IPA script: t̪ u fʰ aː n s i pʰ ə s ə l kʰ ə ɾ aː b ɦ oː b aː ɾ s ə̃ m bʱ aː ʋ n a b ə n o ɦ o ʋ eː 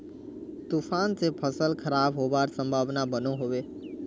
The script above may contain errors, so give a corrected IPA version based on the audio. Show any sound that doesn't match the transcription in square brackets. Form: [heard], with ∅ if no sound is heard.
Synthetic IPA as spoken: t̪ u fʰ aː n s [e] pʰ ə s ə l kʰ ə ɾ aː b ɦ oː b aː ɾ s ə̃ m bʱ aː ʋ n a b ə n o ɦ o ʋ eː